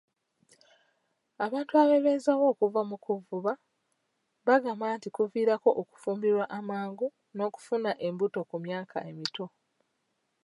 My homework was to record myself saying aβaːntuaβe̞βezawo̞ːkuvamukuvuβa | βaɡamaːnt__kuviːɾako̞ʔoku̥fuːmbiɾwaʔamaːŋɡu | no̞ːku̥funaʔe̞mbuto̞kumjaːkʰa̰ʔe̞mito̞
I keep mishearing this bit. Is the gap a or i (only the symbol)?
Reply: i